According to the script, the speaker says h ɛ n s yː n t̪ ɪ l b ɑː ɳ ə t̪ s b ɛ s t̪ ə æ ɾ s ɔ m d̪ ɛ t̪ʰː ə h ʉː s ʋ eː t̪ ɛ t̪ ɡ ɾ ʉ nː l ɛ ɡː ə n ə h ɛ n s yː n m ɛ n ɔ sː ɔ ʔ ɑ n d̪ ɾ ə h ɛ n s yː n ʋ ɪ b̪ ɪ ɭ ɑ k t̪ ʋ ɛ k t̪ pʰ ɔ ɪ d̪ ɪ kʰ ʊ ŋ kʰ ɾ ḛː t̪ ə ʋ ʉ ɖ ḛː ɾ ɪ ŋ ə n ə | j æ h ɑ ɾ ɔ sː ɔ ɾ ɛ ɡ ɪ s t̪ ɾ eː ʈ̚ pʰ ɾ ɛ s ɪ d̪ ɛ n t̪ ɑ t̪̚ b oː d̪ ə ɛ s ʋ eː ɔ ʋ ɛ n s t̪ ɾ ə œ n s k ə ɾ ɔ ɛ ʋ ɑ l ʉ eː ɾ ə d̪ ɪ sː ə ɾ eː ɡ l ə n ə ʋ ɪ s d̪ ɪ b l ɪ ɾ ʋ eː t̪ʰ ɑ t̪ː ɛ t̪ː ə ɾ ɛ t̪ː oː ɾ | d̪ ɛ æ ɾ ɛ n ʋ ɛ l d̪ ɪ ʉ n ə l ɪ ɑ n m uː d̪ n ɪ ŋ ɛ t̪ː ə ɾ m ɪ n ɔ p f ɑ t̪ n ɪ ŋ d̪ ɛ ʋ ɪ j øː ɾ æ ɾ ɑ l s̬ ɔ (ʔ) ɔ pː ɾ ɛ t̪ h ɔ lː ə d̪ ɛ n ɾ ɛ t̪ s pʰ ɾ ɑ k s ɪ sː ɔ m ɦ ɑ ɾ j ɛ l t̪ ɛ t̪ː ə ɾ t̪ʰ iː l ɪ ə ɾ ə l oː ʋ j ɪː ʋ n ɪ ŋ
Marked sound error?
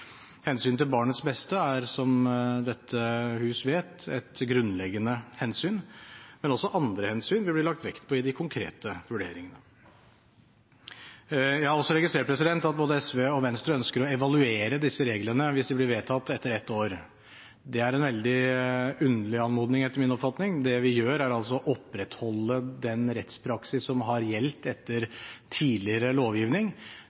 no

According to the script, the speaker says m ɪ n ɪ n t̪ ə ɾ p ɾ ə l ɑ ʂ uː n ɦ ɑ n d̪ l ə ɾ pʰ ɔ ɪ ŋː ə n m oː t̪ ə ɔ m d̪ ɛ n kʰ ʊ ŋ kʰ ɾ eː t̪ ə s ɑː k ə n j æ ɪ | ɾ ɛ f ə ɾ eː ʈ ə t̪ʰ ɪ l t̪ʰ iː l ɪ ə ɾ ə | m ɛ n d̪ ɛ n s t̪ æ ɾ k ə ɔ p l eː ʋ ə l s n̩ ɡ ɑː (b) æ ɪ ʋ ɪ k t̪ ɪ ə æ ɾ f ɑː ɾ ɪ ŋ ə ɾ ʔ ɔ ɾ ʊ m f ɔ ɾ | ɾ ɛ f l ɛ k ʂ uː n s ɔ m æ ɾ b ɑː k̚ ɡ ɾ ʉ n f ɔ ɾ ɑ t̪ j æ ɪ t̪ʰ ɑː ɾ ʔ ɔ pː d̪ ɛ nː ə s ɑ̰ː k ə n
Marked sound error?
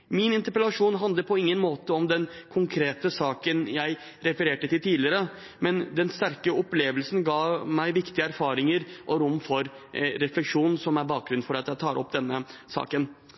yes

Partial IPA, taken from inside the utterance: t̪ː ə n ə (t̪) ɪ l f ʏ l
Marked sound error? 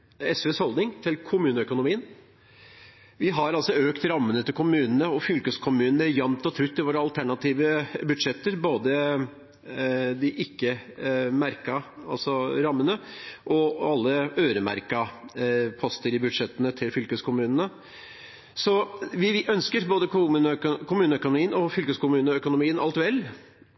yes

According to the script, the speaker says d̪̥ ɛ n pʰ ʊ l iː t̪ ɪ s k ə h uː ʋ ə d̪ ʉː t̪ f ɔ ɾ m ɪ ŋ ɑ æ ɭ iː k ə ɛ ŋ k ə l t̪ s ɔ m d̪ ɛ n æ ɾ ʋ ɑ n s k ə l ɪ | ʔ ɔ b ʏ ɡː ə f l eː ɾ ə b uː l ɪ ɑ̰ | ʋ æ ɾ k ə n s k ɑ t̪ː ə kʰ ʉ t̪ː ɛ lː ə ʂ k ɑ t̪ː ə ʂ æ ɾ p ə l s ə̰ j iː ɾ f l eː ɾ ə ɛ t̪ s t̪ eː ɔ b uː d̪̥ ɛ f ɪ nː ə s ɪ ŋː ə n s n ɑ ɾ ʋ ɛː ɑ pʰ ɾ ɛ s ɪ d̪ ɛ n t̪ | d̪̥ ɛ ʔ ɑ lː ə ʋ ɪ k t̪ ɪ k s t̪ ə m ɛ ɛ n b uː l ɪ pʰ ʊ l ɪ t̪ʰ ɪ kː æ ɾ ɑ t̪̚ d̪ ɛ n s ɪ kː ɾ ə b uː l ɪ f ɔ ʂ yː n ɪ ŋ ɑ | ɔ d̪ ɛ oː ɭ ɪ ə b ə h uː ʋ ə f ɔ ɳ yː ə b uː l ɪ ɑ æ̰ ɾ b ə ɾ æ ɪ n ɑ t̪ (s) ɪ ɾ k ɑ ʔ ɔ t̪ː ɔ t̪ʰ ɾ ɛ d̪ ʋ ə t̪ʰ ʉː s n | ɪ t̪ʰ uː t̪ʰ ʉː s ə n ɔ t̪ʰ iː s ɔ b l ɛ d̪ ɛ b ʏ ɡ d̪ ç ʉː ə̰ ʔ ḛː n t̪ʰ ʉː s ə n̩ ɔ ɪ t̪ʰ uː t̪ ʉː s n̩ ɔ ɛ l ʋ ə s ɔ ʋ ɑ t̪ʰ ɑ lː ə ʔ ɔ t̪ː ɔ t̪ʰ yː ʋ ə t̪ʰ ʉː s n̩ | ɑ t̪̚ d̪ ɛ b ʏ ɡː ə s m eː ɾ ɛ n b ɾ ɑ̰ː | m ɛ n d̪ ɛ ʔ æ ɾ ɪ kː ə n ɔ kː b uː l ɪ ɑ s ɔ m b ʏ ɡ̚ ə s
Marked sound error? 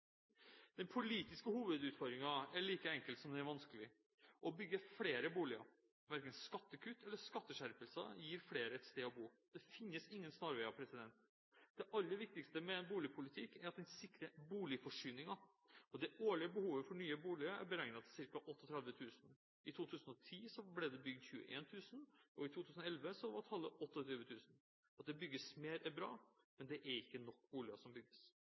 no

